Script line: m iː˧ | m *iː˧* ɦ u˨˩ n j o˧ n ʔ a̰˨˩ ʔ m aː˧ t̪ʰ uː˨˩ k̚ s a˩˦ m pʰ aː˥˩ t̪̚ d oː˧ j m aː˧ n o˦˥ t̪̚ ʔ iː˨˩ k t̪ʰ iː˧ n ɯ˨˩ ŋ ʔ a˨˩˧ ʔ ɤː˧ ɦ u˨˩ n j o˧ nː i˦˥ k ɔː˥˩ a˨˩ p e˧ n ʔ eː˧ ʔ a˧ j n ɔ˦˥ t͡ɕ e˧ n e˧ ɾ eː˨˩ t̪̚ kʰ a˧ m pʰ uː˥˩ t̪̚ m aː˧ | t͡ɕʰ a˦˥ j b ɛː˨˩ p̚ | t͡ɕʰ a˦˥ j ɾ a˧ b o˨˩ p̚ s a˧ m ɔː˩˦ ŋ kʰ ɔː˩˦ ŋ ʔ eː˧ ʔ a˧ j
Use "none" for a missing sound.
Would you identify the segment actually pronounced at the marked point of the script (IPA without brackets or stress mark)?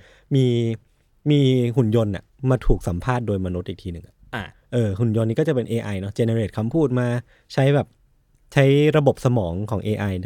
iː˧